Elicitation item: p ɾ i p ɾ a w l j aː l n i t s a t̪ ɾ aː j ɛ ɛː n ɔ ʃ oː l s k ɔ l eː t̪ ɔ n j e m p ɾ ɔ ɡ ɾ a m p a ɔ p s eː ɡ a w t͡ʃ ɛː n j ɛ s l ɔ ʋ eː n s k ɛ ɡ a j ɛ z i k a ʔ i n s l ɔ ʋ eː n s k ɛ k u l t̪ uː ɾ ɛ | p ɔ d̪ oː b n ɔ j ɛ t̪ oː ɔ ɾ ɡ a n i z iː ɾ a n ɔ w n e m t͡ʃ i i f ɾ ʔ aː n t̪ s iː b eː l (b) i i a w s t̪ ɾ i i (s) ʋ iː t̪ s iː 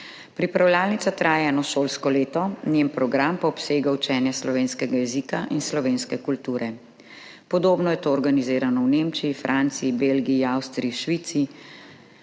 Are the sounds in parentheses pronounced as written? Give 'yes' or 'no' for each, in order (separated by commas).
no, no